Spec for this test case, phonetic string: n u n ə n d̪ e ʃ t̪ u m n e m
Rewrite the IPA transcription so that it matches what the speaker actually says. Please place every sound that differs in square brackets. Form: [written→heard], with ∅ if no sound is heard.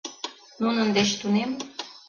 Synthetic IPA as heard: n u n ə n d̪ e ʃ t̪ u [m→∅] n e m